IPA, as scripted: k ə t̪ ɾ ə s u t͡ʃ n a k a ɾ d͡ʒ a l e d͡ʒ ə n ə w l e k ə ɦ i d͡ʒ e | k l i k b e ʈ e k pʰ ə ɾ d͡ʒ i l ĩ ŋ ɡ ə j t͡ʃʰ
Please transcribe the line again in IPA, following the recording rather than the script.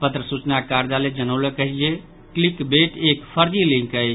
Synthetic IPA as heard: p ə t̪ ɾ ə s u t͡ʃ n a k a ɾ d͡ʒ a l e d͡ʒ ə n ə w l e k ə ɦ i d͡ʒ e | k l i k b e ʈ e k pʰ ə ɾ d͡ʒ i l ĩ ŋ k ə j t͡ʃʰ